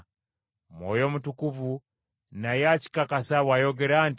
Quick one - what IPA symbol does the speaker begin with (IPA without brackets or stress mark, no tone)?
m